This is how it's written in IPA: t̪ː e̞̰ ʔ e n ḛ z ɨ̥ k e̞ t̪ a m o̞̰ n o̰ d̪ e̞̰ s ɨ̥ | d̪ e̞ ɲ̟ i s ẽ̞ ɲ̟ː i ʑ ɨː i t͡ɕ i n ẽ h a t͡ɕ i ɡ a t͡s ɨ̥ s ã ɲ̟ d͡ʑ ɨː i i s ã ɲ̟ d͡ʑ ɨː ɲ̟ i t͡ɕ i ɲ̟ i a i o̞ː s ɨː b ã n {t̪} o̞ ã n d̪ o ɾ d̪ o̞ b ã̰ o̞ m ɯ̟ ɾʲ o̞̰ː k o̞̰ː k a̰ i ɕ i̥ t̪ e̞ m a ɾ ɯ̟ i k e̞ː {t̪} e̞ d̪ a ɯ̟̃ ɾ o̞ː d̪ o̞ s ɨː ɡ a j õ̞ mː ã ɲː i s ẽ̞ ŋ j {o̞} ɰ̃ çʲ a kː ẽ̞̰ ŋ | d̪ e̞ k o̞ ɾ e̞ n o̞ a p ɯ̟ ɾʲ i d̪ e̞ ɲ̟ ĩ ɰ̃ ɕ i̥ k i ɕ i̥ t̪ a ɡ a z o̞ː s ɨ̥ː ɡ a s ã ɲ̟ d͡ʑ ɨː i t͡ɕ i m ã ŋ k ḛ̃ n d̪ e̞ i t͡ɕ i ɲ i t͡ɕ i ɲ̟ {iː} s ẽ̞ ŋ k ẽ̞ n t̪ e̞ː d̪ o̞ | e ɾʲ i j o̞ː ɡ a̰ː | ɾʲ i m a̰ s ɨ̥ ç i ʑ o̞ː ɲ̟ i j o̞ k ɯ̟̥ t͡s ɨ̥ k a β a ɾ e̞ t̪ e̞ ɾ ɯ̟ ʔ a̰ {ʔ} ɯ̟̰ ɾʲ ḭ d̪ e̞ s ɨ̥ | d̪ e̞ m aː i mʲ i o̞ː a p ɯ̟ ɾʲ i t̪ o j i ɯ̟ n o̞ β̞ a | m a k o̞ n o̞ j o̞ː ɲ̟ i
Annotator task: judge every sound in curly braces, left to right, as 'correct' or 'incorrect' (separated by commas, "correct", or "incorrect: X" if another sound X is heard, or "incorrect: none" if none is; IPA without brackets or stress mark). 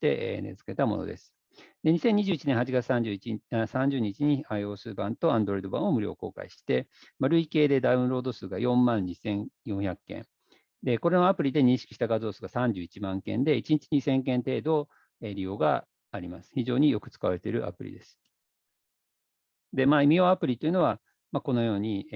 correct, incorrect: d̪, incorrect: õ̞, incorrect: i, incorrect: p